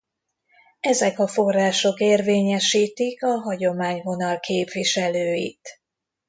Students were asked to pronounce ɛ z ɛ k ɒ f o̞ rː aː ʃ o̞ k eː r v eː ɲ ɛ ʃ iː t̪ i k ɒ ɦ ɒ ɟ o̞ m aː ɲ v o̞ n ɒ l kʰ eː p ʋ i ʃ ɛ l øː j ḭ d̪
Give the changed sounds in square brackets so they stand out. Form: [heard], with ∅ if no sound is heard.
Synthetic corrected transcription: ɛ z ɛ k ɒ f o̞ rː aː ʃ o̞ k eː r v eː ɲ ɛ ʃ iː t̪ i k ɒ ɦ ɒ ɟ o̞ m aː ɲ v o̞ n ɒ l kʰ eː p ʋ i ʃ ɛ l øː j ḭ [t̪]

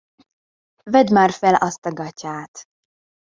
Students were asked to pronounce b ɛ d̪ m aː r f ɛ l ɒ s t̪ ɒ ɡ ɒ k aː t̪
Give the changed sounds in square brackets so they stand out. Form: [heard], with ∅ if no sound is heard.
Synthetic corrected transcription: [v] ɛ d̪ m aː r f ɛ l ɒ s t̪ ɒ ɡ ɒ [c] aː t̪

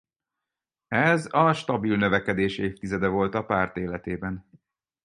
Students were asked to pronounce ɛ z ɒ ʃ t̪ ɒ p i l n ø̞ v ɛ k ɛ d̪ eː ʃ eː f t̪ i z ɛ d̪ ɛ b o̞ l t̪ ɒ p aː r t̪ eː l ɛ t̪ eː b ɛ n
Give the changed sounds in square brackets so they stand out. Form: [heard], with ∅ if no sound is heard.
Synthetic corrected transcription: ɛ z ɒ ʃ t̪ ɒ [b] i l n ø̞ v ɛ k ɛ d̪ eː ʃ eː f t̪ i z ɛ d̪ ɛ [v] o̞ l t̪ ɒ p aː r t̪ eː l ɛ t̪ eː b ɛ n

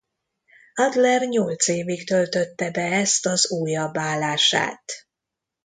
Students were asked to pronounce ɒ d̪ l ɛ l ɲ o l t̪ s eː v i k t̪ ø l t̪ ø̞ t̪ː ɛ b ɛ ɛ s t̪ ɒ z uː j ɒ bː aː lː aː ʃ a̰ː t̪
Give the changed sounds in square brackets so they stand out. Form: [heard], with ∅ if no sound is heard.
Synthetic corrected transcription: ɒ d̪ l ɛ [r] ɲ o l t̪ s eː v i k t̪ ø l t̪ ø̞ t̪ː ɛ b ɛ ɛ s t̪ ɒ z uː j ɒ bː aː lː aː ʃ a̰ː t̪

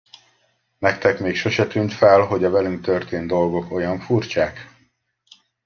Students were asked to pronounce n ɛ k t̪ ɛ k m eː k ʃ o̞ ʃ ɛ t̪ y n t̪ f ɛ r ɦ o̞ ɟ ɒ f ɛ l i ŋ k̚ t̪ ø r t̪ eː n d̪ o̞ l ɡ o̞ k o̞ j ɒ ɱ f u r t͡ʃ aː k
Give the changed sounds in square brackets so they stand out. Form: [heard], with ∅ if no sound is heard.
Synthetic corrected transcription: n ɛ k t̪ ɛ k m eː k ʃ o̞ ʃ ɛ t̪ y n t̪ f ɛ [l] ɦ o̞ ɟ ɒ [v] ɛ l [y] ŋ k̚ t̪ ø r t̪ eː n d̪ o̞ l ɡ o̞ k o̞ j ɒ ɱ f u r t͡ʃ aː k

